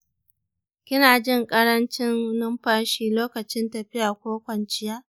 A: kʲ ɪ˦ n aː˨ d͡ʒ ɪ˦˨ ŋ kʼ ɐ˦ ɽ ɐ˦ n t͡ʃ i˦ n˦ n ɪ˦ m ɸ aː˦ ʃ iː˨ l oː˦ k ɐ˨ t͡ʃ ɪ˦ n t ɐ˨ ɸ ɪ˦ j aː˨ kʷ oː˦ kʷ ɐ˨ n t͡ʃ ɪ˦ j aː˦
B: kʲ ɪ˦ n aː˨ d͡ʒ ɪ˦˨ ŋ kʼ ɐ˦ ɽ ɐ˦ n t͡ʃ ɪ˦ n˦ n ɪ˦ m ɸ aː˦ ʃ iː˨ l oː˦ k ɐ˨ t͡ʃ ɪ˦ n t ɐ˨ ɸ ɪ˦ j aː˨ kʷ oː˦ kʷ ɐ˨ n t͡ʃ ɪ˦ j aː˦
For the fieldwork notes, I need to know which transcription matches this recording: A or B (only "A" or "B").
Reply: B